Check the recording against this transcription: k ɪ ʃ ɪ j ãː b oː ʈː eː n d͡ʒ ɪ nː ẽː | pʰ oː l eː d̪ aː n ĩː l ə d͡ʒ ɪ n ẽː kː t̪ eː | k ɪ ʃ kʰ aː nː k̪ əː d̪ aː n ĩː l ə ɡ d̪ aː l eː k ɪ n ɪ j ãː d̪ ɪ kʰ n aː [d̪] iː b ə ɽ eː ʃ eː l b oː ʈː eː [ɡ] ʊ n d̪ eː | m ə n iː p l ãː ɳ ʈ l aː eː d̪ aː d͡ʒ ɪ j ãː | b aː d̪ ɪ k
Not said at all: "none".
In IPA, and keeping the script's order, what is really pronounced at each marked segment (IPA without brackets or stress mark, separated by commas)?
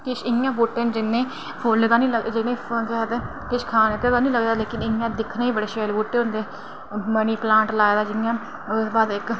none, none